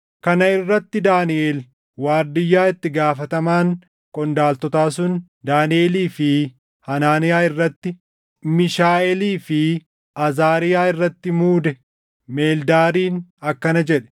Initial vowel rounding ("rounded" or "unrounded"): unrounded